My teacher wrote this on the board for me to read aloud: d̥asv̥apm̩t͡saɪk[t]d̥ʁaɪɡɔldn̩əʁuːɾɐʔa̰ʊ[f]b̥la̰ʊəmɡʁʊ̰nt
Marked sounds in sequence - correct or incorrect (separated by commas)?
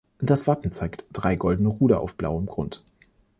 correct, correct